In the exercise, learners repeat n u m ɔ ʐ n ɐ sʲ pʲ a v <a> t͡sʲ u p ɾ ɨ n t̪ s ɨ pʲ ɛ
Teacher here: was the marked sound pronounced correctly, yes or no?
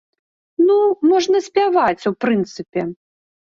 yes